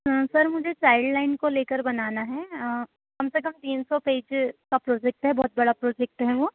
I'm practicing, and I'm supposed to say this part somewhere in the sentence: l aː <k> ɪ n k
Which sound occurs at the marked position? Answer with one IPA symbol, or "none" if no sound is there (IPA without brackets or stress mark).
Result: none